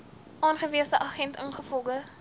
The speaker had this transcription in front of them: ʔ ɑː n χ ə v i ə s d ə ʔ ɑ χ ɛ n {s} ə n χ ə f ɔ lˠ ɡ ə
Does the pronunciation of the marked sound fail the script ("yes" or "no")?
yes